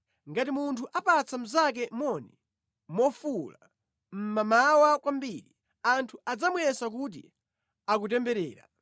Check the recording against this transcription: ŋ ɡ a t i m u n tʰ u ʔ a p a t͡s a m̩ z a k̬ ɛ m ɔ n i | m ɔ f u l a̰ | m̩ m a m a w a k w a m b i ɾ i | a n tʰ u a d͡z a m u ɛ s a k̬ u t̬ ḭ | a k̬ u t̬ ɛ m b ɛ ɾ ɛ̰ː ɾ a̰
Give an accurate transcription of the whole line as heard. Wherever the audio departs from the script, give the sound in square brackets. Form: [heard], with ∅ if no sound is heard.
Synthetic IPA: ŋ ɡ a t i m u n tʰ u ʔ a p a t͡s a m̩ z a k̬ ɛ m ɔ n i | m ɔ f u l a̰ | m̩ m a m a w a k w a m b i ɾ i | a n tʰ u a d͡z a m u ɛ s a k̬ u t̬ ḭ | a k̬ u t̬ ɛ m b ɛ ɾ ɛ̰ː ɾ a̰